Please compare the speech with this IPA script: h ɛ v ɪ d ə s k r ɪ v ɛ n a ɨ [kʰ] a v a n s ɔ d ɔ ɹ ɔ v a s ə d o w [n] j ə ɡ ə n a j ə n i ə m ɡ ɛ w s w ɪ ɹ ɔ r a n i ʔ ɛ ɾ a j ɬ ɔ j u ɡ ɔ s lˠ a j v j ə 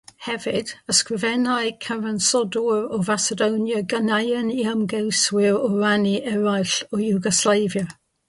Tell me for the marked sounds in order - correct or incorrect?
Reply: correct, correct

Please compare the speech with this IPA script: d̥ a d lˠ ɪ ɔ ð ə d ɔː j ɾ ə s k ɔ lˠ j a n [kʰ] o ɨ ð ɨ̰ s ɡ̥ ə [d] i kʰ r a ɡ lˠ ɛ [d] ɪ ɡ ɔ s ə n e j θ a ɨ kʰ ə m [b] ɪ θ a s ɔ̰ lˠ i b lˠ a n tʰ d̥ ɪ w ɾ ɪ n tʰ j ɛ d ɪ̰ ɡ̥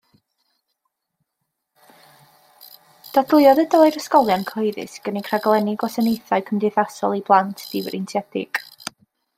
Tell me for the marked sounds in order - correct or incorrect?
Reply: correct, incorrect, incorrect, incorrect

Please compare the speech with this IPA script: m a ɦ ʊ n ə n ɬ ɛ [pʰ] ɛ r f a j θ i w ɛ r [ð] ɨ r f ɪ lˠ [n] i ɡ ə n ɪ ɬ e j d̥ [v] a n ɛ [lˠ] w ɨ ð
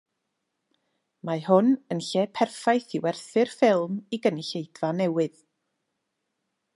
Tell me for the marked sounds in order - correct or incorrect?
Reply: correct, incorrect, incorrect, correct, incorrect

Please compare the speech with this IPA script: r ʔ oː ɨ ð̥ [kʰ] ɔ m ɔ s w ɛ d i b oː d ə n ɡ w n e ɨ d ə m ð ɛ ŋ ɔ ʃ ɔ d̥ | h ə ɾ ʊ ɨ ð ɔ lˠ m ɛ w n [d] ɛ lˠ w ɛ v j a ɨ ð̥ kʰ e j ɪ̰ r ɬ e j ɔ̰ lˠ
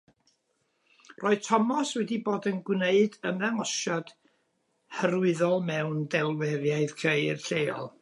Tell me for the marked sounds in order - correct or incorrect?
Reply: incorrect, correct

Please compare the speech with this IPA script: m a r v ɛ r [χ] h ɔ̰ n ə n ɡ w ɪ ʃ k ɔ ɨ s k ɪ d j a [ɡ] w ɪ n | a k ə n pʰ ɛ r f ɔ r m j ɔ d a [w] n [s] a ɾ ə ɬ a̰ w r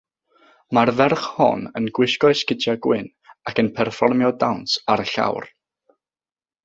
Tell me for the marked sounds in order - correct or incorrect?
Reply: correct, correct, correct, correct

